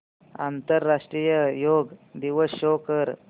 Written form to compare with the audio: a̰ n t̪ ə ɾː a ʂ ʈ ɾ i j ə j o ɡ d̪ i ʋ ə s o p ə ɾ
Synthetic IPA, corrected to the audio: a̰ n t̪ ə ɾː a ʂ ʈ ɾ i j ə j o ɡ d̪ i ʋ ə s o k ə ɾ